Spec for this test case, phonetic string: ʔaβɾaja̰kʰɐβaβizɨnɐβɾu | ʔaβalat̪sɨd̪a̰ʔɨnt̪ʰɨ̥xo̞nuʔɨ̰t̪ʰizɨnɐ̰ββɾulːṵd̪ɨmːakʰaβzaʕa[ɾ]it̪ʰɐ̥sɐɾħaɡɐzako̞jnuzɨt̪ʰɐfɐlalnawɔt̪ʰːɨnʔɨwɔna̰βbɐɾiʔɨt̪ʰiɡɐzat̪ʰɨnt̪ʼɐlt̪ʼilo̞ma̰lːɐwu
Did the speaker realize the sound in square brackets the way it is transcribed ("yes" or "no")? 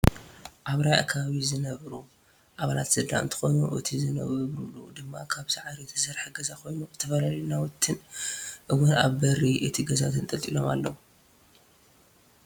yes